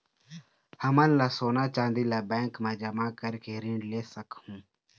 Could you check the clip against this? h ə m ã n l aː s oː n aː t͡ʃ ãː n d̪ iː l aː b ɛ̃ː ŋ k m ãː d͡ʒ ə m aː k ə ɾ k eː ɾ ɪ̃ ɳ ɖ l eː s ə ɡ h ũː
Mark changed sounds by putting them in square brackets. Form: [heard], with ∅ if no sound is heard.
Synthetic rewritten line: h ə m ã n l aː s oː n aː t͡ʃ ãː n d̪ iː l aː b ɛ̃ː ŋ k m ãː d͡ʒ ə m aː k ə ɾ k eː ɾ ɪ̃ ɳ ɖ l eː s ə [k] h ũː